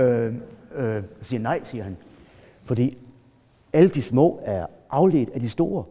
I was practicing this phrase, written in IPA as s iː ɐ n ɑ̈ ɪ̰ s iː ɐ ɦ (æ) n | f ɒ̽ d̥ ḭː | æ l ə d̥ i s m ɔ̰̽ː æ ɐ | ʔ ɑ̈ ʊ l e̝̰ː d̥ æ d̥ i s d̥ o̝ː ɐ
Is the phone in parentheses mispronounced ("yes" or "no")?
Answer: no